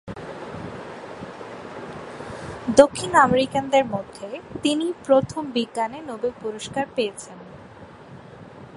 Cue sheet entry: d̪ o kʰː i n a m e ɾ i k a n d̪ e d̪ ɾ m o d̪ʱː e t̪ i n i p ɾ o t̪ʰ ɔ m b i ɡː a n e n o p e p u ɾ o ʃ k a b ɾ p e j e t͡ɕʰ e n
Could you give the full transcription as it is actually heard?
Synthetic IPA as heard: d̪ o kʰː i n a m e ɾ i k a n d̪ e ɾ m o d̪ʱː e t̪ i n i p ɾ o t̪ʰ o m b i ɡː a n e n o b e p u ɾ o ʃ k a ɾ p e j e t͡ɕʰ e n